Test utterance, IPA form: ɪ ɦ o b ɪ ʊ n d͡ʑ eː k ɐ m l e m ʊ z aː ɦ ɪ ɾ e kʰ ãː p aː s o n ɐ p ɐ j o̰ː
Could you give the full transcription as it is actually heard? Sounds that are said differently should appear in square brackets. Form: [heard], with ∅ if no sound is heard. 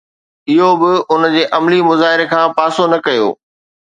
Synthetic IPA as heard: ɪ ɦ o b ɪ ʊ n d͡ʑ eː [ʔ] ɐ m l [i] m ʊ z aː ɦ ɪ ɾ e kʰ ãː p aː s o n ɐ [k] ɐ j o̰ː